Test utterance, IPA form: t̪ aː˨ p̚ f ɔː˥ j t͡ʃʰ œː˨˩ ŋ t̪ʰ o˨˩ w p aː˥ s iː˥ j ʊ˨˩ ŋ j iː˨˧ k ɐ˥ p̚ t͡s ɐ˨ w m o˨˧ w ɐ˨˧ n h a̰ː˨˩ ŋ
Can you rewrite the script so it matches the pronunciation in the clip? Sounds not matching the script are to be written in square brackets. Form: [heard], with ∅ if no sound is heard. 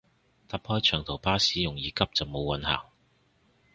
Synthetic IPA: t̪ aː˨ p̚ [h] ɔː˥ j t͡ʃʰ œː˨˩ ŋ t̪ʰ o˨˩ w p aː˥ s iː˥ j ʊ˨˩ ŋ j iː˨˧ k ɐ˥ p̚ t͡s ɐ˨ w m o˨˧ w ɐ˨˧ n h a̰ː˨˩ ŋ